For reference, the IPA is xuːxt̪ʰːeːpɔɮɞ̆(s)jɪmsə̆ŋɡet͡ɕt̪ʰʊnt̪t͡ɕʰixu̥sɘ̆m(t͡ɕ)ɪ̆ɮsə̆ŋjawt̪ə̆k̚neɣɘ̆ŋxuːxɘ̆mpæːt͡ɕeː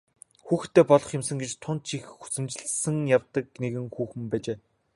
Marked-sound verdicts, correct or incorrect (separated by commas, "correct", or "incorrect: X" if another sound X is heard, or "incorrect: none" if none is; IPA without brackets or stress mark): incorrect: χ, correct